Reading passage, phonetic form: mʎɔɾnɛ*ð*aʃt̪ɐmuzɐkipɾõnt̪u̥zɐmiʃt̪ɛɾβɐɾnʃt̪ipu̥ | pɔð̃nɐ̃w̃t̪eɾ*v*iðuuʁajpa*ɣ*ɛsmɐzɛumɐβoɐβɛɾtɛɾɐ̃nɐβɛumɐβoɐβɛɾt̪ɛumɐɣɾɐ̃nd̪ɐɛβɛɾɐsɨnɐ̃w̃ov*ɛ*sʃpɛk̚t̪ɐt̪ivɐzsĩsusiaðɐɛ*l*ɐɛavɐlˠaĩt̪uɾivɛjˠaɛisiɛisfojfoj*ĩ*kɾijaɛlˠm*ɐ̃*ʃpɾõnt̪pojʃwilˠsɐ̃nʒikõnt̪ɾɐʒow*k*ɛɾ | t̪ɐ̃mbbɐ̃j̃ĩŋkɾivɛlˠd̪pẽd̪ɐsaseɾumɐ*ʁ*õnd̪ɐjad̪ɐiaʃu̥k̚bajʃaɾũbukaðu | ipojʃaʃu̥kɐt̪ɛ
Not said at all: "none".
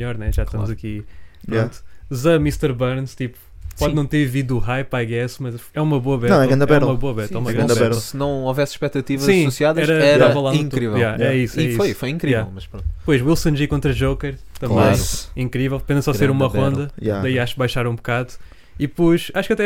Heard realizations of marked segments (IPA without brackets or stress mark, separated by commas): ʒ, v, ɣ, ɛ, ɾ, ĩ, ɐ, k, ʁ